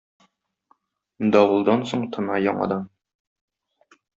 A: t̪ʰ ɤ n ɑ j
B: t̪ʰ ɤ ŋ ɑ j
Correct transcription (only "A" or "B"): A